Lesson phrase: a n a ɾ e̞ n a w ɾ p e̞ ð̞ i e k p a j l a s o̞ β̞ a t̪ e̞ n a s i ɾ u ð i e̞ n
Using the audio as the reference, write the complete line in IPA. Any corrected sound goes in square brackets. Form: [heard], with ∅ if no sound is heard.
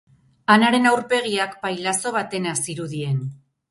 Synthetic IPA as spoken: a n a ɾ e̞ n a w ɾ p e̞ [ɣ̞] i [a] k p a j l a s o̞ β̞ a t̪ e̞ n a s i ɾ u ð i e̞ n